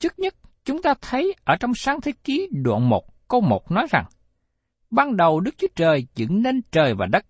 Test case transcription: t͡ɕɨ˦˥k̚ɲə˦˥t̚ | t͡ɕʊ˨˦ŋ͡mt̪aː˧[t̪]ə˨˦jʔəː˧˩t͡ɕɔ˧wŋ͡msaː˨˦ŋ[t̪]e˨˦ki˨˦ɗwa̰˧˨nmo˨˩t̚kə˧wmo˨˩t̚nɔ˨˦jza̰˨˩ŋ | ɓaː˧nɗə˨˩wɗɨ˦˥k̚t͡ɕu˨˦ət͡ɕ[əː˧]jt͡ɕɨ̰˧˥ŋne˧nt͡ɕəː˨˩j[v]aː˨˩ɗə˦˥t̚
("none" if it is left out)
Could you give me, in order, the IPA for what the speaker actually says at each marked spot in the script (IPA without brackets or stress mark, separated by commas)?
t̪ʰ, t̪ʰ, əː˨˩, v